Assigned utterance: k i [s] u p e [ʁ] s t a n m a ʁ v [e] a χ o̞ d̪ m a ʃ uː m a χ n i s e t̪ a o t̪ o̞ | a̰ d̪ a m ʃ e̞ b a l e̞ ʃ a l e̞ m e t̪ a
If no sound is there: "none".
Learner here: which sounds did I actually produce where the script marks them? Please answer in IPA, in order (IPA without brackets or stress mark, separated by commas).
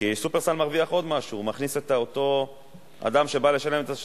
s, ʁ, i